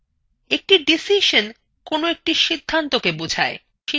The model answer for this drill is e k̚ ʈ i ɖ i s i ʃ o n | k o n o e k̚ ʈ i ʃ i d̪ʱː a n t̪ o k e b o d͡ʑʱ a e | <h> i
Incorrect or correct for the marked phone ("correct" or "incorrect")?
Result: incorrect